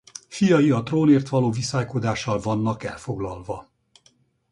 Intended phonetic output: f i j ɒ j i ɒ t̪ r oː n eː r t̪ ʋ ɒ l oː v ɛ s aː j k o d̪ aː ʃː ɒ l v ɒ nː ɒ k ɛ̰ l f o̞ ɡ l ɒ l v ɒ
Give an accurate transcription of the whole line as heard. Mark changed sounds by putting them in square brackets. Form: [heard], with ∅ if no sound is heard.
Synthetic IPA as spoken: f i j ɒ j i ɒ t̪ r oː n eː r t̪ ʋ ɒ l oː v [i] s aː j k o d̪ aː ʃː ɒ l v ɒ nː ɒ k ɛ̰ l f o̞ ɡ l ɒ l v ɒ